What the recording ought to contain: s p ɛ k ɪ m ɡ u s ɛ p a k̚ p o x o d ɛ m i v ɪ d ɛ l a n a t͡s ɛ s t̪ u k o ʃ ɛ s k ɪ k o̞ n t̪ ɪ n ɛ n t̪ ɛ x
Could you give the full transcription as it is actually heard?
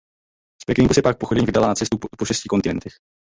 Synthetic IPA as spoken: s p ɛ k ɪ ŋ ɡ u s ɛ p a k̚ p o x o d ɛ ɲ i v ɪ d a l a n a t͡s ɛ s t̪ u p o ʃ ɛ s c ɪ k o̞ n t̪ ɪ n ɛ n t̪ ɛ x